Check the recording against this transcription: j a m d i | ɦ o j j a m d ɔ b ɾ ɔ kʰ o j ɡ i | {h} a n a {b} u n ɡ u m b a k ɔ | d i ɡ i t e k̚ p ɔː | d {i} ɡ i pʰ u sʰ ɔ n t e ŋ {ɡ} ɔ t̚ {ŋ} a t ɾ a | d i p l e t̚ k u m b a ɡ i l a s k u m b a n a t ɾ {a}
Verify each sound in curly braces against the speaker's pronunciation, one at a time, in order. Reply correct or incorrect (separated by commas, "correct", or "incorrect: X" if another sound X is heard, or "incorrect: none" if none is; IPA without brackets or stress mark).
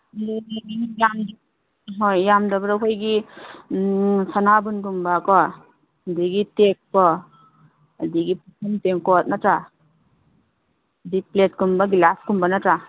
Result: incorrect: s, correct, correct, incorrect: k, incorrect: n, correct